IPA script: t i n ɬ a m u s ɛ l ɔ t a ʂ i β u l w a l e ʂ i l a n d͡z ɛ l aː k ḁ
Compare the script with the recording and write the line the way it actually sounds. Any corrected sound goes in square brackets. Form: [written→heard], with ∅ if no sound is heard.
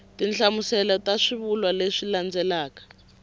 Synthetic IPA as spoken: t i n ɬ a m u s ɛ l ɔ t a ʂ i β u l w a l e ʂ i l a n d͡z ɛ l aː k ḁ